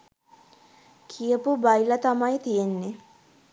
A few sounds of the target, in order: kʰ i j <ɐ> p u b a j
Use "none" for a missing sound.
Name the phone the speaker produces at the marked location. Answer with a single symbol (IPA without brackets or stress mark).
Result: ə